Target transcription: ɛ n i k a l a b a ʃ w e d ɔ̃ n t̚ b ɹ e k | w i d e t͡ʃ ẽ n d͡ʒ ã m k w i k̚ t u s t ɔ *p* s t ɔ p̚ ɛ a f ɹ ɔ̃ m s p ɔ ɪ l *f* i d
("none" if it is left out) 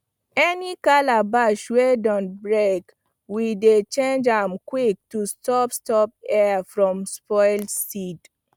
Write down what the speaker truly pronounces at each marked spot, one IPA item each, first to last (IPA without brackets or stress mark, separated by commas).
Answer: p, s